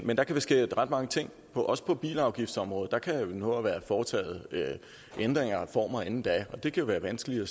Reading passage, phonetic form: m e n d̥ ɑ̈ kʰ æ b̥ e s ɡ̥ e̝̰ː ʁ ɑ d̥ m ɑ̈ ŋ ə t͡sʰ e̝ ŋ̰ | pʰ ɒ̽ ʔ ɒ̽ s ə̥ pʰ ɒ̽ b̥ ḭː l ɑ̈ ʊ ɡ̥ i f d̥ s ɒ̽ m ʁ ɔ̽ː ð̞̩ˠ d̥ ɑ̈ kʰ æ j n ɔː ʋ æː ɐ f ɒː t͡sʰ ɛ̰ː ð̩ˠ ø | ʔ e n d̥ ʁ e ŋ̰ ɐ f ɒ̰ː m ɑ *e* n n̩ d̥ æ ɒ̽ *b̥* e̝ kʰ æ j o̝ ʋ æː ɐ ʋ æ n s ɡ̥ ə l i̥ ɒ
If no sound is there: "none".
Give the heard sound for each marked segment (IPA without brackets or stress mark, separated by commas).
e, d̥